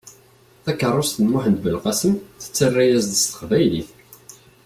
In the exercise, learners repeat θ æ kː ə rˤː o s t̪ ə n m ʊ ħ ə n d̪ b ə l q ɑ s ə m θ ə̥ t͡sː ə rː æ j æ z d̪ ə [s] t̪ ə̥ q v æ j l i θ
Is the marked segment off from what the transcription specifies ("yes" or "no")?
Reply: no